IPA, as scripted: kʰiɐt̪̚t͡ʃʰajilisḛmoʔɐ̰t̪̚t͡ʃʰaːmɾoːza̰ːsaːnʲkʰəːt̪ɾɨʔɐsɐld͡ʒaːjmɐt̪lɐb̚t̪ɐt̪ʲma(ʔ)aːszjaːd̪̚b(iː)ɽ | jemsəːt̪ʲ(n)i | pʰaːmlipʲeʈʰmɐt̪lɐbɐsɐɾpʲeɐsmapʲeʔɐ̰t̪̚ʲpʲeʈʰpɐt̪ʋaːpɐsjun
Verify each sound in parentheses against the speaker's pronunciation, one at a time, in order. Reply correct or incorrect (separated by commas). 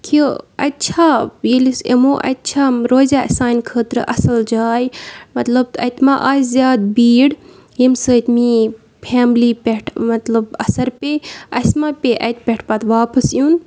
correct, correct, incorrect